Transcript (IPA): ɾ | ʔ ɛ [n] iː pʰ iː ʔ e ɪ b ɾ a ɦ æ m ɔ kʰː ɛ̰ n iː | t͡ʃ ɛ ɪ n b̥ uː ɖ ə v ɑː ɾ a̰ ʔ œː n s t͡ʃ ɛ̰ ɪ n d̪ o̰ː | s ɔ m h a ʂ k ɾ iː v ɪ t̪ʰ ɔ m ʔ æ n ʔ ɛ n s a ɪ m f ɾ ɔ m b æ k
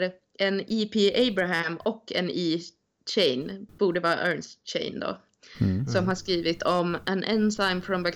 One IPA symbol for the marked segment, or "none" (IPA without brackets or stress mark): n